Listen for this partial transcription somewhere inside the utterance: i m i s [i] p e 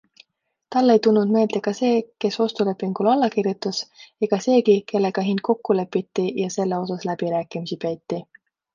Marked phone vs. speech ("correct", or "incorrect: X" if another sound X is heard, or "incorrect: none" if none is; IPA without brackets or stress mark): correct